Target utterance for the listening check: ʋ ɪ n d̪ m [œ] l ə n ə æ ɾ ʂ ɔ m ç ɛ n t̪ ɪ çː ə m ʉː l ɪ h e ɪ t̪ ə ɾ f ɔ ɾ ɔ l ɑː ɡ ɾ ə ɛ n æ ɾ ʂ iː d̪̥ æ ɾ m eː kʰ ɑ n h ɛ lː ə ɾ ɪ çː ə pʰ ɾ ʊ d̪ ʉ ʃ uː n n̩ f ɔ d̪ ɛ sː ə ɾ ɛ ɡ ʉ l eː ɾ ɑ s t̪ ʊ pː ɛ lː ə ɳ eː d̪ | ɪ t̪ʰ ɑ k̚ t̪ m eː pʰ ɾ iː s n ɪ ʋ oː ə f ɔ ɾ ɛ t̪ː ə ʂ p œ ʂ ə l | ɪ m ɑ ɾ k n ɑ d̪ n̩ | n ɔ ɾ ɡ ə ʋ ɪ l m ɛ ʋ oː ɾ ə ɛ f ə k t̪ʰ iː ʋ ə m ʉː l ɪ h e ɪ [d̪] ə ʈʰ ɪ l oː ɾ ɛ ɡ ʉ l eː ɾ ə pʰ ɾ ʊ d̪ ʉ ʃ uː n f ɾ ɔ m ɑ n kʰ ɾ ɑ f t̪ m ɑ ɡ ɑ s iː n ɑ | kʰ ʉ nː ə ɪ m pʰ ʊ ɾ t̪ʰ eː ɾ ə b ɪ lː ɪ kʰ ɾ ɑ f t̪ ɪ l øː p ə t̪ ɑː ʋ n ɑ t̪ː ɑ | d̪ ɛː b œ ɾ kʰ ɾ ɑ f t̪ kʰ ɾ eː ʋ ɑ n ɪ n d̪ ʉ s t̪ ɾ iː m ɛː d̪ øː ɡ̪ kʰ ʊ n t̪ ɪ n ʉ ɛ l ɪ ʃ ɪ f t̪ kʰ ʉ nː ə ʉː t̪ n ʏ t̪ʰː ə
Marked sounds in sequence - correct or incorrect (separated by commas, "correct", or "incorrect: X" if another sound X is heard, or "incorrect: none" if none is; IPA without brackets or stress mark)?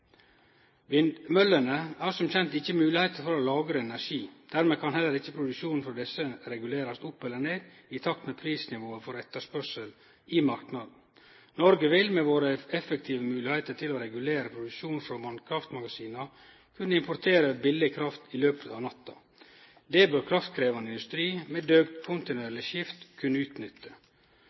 correct, incorrect: t̪